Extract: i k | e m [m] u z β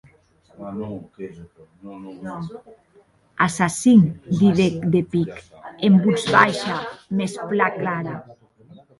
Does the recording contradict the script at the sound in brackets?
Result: yes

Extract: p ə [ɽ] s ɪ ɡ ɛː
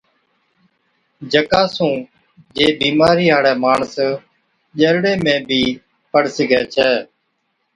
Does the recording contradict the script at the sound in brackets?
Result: no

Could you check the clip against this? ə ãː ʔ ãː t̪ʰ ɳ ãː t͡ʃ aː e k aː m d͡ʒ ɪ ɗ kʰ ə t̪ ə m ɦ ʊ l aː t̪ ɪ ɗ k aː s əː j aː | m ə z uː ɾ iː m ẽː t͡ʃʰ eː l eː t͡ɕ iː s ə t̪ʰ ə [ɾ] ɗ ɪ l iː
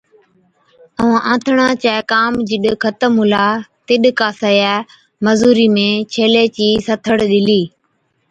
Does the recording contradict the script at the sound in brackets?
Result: yes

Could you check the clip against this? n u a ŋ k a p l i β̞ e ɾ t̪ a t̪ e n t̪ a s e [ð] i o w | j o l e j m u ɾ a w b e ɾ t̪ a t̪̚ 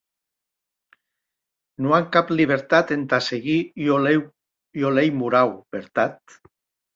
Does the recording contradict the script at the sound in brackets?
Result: yes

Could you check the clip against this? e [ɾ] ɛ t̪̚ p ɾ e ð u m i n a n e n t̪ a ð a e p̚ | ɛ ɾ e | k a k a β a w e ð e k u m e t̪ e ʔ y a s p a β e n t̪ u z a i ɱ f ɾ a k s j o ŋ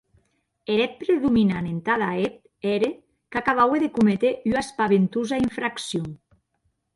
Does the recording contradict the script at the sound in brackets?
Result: no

